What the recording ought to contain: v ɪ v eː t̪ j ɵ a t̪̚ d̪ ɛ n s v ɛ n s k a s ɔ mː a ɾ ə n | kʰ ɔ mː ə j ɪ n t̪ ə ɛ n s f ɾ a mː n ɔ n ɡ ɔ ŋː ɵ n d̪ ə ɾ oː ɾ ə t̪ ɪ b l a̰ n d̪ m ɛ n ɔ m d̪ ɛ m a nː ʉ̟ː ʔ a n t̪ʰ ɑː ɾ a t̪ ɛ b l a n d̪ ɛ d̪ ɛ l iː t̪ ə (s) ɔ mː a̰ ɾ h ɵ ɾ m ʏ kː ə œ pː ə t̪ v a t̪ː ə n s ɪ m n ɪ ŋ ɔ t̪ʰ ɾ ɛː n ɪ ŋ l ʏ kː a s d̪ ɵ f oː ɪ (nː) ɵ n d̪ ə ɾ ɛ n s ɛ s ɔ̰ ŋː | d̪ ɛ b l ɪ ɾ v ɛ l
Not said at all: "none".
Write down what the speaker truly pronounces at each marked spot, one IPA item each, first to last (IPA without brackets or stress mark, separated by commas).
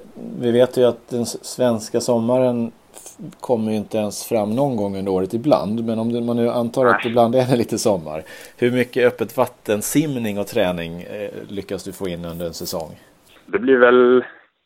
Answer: s, nː